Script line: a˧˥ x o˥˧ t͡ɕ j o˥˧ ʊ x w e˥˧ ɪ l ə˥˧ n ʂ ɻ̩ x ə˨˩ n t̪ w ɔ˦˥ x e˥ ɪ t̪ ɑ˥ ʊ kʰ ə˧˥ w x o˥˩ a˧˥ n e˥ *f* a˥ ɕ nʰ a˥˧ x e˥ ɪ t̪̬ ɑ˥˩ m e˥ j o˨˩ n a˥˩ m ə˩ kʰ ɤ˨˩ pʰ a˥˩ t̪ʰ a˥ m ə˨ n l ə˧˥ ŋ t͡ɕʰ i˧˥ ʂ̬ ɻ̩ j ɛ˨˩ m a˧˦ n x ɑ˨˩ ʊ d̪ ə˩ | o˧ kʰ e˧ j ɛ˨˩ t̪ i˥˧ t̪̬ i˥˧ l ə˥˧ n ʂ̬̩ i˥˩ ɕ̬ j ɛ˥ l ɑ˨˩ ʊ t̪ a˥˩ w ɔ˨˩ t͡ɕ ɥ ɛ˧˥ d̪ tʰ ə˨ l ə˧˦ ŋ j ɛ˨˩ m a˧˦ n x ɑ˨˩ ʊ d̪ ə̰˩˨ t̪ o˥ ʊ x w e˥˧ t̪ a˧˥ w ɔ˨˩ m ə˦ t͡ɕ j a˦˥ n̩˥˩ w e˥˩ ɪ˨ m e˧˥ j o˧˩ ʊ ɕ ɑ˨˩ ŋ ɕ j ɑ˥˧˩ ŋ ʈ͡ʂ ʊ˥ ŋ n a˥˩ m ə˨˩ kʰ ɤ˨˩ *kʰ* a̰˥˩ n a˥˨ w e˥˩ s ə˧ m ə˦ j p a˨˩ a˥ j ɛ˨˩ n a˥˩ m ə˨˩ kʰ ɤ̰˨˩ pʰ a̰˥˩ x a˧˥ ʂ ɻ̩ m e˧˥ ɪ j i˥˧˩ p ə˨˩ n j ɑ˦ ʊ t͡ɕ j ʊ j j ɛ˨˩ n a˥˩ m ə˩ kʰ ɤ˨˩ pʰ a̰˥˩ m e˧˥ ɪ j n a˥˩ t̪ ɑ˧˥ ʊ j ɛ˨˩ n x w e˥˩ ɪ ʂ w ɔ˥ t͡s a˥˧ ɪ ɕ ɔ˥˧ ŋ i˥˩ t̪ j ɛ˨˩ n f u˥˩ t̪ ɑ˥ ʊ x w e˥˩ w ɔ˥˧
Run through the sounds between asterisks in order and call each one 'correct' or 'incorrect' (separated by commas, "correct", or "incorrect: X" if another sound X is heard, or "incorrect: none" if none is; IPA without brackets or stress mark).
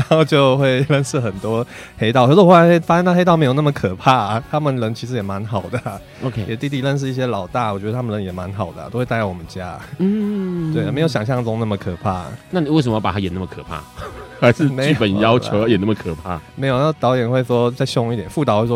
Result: correct, incorrect: pʰ